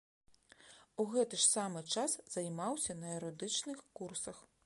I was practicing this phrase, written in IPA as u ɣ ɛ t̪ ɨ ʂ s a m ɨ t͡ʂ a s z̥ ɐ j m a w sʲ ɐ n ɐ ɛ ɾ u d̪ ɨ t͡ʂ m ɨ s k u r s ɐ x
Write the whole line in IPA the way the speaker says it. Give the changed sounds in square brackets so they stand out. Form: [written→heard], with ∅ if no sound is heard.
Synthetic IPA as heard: u ɣ ɛ t̪ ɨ ʂ s a m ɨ t͡ʂ a s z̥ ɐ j m a w sʲ ɐ n ɐ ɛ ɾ [u→ɔ] d̪ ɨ t͡ʂ [m→n] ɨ [s→x] k u r s ɐ x